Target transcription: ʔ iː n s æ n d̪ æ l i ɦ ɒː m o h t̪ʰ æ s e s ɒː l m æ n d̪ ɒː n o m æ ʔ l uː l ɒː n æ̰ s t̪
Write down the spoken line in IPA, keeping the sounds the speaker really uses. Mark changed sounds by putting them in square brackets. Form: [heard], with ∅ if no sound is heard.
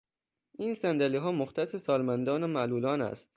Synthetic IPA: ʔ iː n s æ n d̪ æ l i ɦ ɒː m o [x] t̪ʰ æ s e s ɒː l m æ n d̪ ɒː n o m æ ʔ l uː l ɒː n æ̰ s t̪